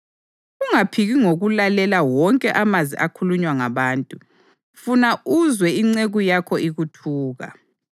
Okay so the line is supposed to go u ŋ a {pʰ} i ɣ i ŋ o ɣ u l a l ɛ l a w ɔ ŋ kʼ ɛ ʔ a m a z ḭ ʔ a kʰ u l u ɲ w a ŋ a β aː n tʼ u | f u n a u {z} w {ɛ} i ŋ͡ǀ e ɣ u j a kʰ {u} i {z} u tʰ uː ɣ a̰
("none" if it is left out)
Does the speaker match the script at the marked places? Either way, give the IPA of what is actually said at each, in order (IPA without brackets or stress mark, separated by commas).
pʰ, z, ɛ, ɔ, ɣ